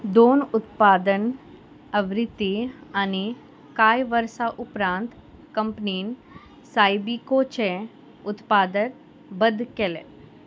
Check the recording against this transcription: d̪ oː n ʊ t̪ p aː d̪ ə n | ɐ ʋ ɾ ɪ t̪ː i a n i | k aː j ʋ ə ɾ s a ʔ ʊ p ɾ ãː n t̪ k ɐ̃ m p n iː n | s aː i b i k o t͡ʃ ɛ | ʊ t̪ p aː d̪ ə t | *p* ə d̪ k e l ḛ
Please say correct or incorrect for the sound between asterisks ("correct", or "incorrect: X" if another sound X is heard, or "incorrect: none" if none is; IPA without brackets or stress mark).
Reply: incorrect: b